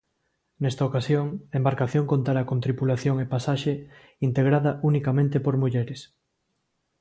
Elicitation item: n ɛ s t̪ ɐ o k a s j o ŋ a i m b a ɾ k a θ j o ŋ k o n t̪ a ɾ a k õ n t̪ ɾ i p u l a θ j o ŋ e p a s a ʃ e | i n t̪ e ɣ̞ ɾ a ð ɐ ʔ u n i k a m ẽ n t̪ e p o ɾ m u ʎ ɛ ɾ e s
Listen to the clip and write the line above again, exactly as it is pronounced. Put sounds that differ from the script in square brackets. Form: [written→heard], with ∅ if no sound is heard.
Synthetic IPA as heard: n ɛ s t̪ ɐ o k a s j o ŋ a [i→e] m b a ɾ k a θ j o ŋ k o n t̪ a ɾ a k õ n t̪ ɾ i p u l a θ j o ŋ e p a s a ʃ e | i n t̪ e ɣ̞ ɾ a ð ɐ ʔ u n i k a m ẽ n t̪ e p o ɾ m u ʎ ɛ ɾ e s